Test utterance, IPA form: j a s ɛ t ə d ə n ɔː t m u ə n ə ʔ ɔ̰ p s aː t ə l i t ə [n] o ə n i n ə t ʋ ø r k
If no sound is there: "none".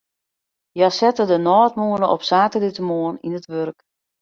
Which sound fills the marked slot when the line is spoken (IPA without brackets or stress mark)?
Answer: m